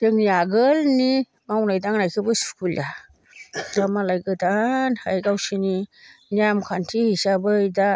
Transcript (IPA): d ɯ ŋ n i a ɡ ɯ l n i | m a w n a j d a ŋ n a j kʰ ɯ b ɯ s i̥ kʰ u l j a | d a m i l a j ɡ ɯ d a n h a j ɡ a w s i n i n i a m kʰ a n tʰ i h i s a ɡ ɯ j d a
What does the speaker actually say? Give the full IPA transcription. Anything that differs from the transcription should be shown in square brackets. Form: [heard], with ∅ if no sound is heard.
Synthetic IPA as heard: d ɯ ŋ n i a ɡ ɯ l n i | m a w n a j d a ŋ n a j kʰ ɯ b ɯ s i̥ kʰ u l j a | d a m [a] l a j ɡ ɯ d a n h a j ɡ a w s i n i n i a m kʰ a n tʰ i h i s a [b] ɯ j d a